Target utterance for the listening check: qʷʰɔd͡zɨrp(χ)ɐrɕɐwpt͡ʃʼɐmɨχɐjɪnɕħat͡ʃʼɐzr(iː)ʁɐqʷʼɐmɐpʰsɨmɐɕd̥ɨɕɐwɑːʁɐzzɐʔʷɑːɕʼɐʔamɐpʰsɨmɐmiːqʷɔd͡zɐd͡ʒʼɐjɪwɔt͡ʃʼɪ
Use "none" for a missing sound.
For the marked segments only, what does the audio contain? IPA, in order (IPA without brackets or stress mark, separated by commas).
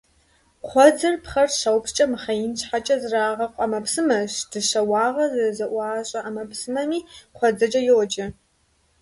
χ, aː